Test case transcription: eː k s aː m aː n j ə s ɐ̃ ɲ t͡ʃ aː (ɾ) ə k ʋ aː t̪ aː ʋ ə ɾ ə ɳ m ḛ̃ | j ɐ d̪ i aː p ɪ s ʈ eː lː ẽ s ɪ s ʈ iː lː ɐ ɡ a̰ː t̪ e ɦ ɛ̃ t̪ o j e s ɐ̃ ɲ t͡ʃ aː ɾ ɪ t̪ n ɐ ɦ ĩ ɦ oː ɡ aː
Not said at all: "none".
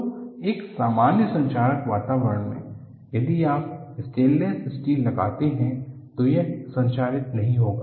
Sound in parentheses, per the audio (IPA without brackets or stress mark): ɾ